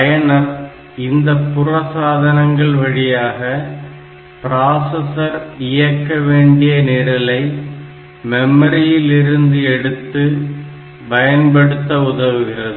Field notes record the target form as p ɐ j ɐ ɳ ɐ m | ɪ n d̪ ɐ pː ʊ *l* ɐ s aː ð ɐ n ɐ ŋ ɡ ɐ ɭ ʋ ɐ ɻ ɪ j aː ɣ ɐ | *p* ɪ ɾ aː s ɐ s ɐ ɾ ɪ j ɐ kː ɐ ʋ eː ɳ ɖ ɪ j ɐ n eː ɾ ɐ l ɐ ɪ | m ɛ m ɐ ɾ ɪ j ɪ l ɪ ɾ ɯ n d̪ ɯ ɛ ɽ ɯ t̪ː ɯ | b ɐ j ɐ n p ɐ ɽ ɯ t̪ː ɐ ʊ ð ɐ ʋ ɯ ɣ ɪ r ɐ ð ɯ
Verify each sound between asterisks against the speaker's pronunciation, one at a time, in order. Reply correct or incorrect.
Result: incorrect, correct

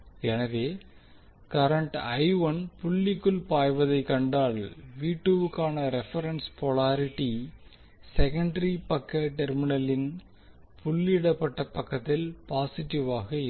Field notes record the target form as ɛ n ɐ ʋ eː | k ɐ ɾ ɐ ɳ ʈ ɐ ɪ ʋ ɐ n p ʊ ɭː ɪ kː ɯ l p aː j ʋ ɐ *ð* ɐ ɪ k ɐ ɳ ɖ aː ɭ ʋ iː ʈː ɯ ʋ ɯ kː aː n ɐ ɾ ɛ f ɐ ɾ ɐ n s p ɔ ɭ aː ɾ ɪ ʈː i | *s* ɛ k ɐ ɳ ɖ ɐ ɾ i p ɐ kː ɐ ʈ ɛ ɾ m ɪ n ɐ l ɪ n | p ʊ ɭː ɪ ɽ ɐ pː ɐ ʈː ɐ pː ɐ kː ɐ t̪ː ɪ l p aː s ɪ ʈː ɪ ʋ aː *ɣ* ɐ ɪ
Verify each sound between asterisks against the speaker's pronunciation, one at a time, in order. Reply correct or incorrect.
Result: correct, correct, correct

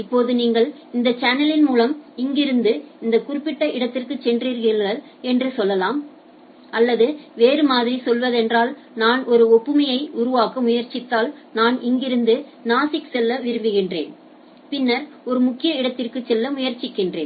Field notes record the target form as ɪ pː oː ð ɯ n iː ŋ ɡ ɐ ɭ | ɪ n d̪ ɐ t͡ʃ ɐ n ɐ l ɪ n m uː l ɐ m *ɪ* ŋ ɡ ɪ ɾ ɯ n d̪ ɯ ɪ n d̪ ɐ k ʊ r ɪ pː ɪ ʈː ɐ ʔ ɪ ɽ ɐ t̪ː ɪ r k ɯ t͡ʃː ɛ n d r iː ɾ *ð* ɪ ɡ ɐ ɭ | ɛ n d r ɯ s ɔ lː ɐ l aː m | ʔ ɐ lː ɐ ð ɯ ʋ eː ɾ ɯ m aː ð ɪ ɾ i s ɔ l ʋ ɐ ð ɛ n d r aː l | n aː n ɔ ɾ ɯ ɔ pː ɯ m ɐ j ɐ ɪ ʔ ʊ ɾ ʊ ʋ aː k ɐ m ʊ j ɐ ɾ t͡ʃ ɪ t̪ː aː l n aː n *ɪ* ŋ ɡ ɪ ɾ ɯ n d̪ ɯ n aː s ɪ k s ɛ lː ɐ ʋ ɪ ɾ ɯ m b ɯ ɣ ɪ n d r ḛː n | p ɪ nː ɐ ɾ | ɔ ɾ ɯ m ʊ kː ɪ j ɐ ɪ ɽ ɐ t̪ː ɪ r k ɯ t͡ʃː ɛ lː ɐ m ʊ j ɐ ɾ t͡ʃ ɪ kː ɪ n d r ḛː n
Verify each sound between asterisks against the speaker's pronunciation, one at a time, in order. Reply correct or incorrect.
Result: correct, incorrect, correct

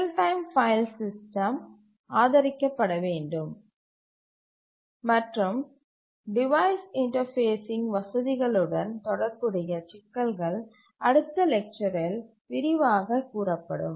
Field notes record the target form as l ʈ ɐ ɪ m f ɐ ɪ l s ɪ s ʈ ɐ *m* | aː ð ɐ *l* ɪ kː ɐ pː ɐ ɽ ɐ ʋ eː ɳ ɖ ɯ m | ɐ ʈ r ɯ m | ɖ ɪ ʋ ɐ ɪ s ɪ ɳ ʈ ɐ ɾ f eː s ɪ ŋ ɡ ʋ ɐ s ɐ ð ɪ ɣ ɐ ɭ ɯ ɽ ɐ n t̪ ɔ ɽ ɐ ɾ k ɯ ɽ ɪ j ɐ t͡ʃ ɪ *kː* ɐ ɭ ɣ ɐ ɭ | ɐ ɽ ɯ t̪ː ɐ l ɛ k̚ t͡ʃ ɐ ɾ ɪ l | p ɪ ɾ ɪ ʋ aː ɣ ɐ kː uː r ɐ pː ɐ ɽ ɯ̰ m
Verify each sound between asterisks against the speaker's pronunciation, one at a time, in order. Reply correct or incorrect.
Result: correct, incorrect, correct

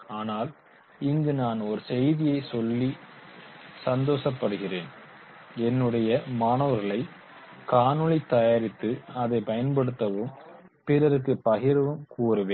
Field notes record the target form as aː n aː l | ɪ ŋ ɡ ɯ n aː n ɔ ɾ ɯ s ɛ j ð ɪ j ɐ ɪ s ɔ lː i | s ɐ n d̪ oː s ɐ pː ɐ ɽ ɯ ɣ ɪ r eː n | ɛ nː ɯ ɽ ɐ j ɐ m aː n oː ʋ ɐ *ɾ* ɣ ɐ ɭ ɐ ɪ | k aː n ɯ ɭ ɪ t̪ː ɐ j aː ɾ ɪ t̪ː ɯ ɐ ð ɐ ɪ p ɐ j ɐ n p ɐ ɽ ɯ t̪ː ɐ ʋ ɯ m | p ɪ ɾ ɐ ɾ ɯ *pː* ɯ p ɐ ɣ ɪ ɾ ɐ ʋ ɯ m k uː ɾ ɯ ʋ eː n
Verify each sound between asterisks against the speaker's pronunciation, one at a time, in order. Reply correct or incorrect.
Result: correct, incorrect

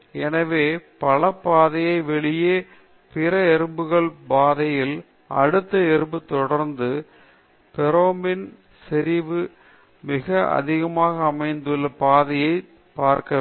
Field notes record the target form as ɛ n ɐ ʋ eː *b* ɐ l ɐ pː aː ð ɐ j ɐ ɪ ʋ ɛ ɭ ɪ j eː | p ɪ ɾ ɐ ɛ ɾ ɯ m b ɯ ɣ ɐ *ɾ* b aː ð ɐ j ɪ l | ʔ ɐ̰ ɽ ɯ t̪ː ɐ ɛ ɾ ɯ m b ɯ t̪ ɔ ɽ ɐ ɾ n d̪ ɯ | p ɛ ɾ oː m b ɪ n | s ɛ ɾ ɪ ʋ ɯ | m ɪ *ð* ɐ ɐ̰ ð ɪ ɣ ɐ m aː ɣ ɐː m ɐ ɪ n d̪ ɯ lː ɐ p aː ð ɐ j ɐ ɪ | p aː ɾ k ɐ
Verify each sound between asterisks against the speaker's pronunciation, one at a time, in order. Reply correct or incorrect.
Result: incorrect, incorrect, incorrect

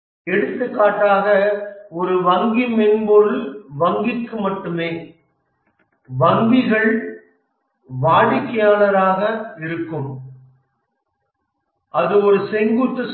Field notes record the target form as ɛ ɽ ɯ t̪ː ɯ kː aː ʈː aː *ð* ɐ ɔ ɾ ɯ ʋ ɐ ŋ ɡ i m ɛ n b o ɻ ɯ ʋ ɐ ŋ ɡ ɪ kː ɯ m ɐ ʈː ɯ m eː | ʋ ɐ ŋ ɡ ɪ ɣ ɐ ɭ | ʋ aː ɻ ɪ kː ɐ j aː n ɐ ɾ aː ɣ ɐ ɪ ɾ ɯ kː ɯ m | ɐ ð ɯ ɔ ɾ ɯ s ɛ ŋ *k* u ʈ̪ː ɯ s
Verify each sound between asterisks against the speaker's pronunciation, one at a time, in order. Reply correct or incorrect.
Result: incorrect, incorrect

